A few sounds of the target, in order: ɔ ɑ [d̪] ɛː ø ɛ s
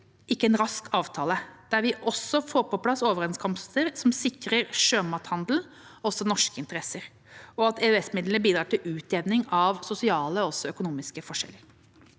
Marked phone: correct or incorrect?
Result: incorrect